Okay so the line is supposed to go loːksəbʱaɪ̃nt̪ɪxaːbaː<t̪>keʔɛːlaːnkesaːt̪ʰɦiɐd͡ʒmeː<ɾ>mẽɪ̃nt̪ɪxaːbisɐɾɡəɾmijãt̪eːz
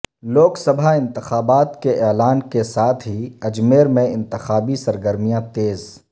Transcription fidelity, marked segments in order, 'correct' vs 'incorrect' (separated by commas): correct, correct